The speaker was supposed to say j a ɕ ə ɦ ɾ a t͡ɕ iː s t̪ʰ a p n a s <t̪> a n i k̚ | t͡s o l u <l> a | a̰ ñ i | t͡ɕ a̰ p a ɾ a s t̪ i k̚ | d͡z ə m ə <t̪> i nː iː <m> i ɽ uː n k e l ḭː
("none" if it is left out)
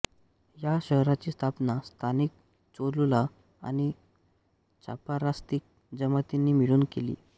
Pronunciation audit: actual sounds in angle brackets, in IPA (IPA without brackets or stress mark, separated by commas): t̪ʰ, l, t̪, m